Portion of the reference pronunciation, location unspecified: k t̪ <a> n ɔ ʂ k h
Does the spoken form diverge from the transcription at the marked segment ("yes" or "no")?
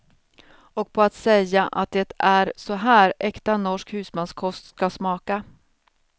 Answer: no